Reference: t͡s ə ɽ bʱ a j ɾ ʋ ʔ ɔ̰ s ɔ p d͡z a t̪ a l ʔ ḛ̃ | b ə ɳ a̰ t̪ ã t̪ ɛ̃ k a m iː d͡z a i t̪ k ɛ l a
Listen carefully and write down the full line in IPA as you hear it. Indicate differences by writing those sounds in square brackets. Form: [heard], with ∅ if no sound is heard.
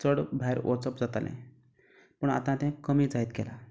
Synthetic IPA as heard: t͡s ə ɽ bʱ a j ɾ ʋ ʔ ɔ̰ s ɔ p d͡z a t̪ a l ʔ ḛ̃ | [p] ə ɳ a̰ t̪ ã t̪ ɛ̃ k [ə] m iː d͡z a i t̪ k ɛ l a